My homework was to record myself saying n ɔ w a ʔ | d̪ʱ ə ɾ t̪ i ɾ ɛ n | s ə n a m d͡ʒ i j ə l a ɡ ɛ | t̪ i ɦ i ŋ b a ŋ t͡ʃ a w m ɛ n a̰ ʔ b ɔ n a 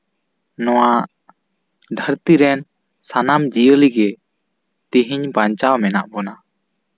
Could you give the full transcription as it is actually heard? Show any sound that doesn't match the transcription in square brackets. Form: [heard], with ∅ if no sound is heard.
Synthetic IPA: n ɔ w a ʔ | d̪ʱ ə ɾ t̪ i ɾ ɛ n | s [a] n a m d͡ʒ i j ə l [i] ɡ ɛ | t̪ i ɦ i [ɲ] b a [ɲ] t͡ʃ a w m ɛ n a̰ ʔ b ɔ n a